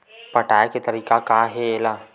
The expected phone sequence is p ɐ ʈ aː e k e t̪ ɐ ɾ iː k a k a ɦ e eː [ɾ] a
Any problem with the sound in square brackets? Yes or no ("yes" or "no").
yes